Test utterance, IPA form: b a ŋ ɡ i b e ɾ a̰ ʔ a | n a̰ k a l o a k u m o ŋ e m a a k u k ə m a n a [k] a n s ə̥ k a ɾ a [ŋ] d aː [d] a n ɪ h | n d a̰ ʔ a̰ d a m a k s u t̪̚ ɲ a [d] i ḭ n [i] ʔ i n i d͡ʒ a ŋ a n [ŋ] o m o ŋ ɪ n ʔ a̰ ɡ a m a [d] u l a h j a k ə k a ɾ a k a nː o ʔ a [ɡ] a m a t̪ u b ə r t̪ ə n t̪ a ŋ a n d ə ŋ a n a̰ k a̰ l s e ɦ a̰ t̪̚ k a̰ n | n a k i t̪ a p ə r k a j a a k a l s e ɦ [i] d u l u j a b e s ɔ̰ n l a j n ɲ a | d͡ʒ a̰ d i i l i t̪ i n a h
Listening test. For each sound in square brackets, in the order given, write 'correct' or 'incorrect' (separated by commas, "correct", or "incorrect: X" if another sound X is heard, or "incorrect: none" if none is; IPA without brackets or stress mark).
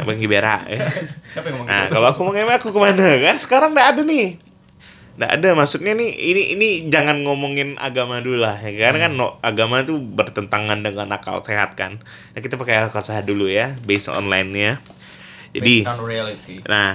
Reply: correct, correct, correct, incorrect: n, correct, correct, correct, correct, incorrect: a